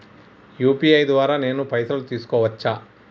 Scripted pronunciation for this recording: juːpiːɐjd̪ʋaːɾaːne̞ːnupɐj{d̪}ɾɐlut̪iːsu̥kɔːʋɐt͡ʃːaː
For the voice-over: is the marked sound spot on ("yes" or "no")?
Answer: no